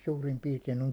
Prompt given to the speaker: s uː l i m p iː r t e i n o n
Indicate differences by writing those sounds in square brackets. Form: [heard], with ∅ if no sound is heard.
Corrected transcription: s uː [r] i m p iː r t e i n o [ŋ]

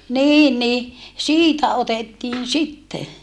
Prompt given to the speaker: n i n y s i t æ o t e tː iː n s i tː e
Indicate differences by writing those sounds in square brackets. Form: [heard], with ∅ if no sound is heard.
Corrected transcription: n [iː] n [i] s [iː] t æ o t e tː iː n s i tː e

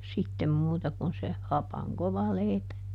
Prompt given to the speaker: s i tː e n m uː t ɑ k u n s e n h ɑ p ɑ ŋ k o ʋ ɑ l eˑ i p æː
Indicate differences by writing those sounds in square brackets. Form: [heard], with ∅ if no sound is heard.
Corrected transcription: s i tː e [m] m uː t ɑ k u n s e [∅] h ɑ p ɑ ŋ k o ʋ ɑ l eˑ i p [æ]

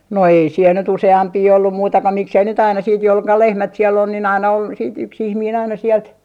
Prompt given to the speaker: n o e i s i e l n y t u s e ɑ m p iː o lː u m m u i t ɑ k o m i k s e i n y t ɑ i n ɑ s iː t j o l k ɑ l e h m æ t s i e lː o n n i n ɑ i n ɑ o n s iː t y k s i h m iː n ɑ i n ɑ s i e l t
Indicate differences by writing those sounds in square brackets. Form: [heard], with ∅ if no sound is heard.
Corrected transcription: n o e i s i e l n y t u s e ɑ m p iː o lː u m m u i t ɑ k o m i k s e i n y t ɑ i n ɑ s iː t j o l k ɑ l e h m æ t s i e lː o n n i n ɑ i n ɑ o n s iː t y k s i h m iː n ɑ i n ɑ s i [ɛ] l t

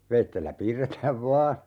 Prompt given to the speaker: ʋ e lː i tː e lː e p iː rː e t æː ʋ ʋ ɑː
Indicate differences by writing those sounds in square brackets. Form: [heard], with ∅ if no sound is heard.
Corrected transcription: ʋ e [∅] i tː e lː [æ] p iː rː e t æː ʋ ʋ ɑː

